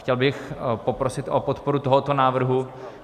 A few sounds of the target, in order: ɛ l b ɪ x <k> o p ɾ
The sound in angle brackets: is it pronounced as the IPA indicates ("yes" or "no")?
no